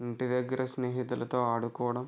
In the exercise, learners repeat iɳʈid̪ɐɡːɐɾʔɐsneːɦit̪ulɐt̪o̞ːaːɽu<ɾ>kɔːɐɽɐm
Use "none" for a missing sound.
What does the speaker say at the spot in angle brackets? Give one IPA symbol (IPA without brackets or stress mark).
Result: none